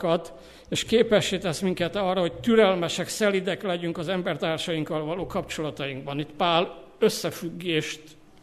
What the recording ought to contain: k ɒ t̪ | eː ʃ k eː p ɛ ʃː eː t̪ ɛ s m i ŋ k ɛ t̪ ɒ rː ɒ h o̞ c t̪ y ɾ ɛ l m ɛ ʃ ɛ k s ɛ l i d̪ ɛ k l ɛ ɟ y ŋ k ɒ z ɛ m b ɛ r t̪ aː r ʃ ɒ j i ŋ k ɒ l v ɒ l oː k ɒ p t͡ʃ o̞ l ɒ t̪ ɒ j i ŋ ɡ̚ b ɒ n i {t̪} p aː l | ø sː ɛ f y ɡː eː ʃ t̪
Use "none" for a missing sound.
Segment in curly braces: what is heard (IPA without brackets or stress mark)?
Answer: t̪